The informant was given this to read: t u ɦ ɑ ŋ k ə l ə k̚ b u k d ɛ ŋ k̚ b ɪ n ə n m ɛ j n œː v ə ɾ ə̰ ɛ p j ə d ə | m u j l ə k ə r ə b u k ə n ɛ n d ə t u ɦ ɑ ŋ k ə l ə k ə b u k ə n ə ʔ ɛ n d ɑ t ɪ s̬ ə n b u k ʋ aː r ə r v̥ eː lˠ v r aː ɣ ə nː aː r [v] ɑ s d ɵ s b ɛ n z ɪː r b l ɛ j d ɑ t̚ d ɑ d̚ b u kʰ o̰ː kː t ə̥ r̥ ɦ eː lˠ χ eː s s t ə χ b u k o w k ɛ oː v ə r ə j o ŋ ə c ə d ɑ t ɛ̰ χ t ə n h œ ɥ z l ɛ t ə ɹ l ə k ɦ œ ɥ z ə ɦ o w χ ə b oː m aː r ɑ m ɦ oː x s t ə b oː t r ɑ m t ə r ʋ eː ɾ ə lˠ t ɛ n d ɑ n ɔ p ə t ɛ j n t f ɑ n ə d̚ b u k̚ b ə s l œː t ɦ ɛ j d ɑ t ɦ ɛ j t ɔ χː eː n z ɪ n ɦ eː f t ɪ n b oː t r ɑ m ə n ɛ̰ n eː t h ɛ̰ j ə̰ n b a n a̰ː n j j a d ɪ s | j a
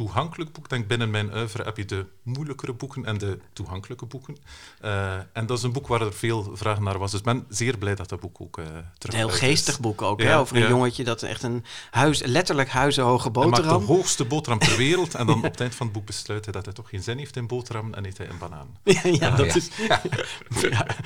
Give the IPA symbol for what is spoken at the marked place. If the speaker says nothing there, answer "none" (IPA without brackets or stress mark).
ʋ